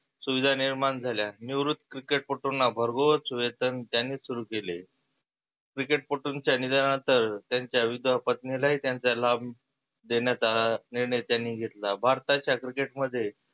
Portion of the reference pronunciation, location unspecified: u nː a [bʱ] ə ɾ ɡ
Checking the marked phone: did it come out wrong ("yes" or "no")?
no